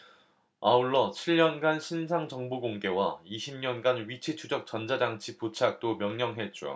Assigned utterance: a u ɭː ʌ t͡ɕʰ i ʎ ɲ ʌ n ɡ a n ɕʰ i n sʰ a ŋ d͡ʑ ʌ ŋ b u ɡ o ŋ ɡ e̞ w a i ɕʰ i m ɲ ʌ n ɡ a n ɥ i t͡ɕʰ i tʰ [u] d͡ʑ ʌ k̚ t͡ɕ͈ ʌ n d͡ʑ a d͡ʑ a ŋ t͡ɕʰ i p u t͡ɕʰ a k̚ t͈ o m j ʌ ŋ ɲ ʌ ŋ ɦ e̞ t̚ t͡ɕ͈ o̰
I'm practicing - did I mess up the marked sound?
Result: no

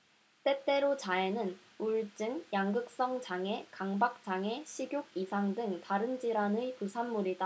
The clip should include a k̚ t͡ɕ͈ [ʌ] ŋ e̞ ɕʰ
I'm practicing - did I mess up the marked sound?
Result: yes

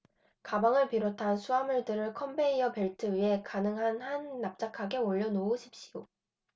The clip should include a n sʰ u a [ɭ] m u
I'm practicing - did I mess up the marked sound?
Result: yes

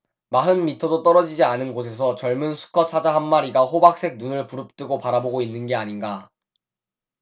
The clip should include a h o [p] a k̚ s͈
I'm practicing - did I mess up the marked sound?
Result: yes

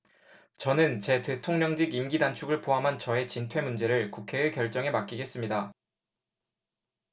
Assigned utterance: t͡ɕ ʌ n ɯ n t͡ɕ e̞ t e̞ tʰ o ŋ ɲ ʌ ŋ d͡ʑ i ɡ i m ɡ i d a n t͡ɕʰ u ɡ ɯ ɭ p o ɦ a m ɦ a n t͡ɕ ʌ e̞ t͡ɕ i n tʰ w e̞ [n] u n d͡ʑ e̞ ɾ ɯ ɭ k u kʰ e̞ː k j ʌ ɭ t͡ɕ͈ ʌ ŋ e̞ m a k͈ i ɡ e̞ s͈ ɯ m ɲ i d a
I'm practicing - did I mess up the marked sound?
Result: yes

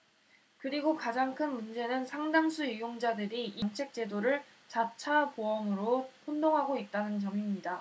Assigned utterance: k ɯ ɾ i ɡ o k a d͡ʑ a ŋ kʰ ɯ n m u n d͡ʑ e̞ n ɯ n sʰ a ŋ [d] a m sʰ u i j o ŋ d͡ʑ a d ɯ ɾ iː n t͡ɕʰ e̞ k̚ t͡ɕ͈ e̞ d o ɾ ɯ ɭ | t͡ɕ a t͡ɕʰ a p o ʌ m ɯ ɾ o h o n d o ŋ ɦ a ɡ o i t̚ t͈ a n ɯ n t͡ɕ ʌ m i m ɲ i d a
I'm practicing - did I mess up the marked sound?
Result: no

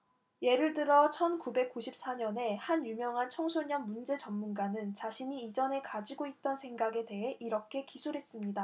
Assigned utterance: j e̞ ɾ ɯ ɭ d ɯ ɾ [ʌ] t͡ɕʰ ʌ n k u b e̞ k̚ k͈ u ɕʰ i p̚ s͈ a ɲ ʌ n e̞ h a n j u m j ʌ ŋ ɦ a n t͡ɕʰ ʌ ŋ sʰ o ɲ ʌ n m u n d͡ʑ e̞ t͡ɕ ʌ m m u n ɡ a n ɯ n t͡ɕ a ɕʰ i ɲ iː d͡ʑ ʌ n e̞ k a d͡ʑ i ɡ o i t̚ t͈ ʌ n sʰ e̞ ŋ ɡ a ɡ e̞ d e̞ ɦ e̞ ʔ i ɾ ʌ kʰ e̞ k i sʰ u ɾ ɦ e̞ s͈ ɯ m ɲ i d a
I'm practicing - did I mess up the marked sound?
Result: no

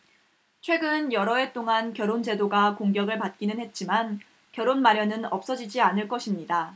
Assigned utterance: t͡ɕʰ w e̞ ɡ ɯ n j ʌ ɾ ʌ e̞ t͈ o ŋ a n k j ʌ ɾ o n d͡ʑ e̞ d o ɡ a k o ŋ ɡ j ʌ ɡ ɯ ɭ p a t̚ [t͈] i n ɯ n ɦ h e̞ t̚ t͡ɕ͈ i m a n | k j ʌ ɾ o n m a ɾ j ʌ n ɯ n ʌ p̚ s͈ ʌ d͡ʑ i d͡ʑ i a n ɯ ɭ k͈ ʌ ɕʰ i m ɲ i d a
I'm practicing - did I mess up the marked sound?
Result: yes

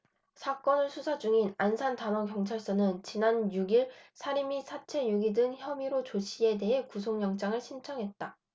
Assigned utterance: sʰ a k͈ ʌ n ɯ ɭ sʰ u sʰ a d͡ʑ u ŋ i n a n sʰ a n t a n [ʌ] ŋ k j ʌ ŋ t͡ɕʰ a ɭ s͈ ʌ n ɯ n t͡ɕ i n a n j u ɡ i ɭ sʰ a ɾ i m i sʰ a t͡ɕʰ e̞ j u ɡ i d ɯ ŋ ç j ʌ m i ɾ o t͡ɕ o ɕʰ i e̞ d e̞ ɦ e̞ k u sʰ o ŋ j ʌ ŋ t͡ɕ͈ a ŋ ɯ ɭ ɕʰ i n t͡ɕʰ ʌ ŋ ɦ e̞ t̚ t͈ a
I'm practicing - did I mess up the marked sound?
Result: no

